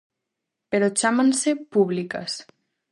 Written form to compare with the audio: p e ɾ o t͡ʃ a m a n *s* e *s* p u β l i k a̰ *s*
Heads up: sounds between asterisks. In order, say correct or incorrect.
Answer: correct, incorrect, correct

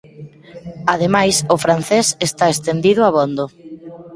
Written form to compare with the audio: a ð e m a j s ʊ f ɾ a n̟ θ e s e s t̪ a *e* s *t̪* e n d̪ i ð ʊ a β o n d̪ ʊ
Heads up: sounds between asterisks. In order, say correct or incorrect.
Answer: correct, correct

